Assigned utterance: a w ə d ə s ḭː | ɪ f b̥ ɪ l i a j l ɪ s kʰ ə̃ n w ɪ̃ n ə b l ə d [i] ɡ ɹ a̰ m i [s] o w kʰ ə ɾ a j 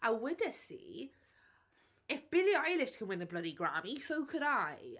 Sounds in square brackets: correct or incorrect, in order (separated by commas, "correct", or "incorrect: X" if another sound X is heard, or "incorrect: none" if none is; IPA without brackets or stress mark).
correct, correct